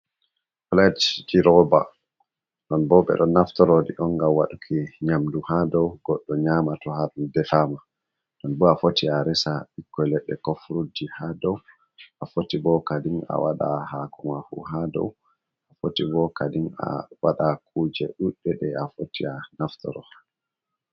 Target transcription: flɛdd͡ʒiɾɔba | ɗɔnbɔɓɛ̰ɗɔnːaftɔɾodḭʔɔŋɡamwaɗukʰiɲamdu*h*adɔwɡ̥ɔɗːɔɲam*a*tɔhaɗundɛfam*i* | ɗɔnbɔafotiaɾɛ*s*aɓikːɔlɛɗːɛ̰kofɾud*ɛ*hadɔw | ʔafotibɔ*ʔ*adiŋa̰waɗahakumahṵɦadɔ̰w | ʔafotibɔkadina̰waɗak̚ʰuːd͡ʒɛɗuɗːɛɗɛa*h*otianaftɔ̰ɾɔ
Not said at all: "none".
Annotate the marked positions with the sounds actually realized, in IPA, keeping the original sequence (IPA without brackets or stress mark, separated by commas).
h, a, a, s, i, k, f